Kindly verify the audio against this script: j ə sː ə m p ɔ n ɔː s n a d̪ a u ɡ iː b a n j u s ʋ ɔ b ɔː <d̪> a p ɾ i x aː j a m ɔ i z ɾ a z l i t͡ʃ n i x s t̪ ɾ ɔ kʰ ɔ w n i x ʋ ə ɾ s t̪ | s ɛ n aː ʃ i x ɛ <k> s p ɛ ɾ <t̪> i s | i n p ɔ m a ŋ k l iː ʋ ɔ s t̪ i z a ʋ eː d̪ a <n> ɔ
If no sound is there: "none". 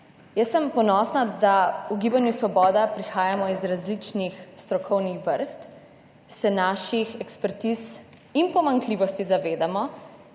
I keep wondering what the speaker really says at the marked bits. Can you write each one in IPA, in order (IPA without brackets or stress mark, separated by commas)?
d̪, k, t̪, m